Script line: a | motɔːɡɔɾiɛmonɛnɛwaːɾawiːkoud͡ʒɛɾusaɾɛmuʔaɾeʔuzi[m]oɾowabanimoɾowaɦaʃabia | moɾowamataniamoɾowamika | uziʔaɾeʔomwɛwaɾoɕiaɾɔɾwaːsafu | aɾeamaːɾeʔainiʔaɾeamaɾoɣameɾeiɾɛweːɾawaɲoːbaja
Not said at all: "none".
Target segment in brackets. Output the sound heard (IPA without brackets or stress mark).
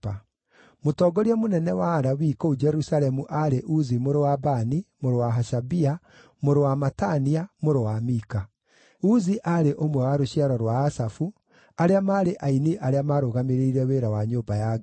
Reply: m